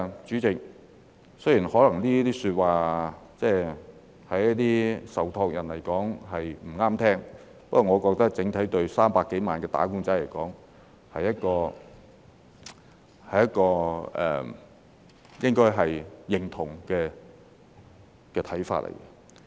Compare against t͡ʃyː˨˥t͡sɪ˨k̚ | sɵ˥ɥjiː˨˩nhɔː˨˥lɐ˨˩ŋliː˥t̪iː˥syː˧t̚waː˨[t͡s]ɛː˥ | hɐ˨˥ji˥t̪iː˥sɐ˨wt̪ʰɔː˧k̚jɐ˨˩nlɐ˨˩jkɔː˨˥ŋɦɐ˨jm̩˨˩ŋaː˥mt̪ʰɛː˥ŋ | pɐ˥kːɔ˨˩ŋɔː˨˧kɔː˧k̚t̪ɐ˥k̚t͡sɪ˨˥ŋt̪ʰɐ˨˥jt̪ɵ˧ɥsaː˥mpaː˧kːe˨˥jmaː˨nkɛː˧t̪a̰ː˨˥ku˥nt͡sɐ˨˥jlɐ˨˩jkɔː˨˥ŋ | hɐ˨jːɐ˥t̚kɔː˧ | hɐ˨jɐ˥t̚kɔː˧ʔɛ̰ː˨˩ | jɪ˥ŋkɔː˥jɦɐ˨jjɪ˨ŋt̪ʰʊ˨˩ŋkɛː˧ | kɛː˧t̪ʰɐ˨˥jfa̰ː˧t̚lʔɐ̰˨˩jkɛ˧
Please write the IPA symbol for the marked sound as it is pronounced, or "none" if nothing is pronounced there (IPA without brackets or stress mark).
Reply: t͡s